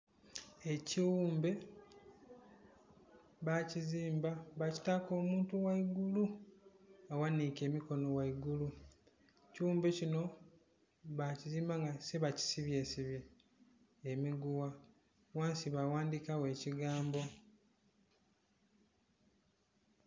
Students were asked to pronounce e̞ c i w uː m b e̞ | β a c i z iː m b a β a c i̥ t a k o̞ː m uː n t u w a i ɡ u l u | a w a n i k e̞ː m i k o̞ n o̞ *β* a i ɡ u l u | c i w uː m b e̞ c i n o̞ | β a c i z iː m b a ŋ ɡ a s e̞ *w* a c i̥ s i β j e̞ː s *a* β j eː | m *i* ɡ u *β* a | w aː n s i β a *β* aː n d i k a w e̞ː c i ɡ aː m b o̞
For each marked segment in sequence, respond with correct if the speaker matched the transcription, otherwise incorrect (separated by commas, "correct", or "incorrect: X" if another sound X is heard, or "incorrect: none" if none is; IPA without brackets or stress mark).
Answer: incorrect: w, incorrect: β, incorrect: i, correct, incorrect: w, incorrect: w